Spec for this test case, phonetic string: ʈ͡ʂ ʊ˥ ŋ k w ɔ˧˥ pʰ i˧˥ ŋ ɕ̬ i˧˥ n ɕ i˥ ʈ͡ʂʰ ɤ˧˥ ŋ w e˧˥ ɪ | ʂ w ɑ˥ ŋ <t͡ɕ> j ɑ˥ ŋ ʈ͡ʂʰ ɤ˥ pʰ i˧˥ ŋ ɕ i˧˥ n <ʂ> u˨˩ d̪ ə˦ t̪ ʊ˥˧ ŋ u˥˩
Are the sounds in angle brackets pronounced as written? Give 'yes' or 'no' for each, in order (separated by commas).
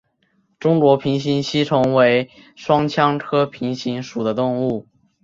no, yes